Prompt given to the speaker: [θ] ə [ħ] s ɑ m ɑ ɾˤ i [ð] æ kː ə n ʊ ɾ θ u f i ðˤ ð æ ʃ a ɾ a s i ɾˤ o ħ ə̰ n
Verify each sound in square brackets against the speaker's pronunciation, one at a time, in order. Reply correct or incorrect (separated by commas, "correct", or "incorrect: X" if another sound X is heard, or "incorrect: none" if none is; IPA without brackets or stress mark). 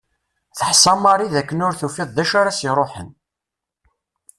correct, correct, correct